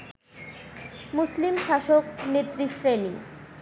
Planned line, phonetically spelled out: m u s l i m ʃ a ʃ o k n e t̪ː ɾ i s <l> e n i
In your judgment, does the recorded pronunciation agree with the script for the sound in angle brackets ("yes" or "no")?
no